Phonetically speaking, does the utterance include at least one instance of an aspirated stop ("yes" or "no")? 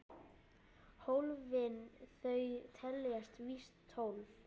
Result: yes